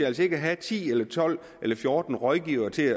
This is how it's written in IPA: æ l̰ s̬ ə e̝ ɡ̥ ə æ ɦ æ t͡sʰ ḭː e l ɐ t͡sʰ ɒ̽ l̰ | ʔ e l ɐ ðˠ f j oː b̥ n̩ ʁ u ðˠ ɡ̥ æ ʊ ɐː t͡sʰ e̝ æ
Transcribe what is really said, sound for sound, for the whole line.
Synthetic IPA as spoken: æ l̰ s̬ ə e̝ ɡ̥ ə æ ɦ æ t͡sʰ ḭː e l ɐ t͡sʰ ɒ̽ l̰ | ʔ e l ɐ f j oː d̥ n̩ ʁ ɒ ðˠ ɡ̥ i ʊ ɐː t͡sʰ e̝ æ